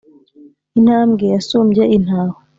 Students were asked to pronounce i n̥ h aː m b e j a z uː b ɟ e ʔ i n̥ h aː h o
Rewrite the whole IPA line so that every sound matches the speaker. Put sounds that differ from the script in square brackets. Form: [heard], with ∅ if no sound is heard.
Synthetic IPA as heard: i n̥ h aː m [ɡ] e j a [s] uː [m] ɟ e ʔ i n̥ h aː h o